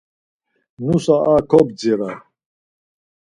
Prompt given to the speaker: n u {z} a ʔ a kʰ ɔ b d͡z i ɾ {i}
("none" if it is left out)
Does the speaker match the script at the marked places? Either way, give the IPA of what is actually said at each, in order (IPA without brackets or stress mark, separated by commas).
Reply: s, a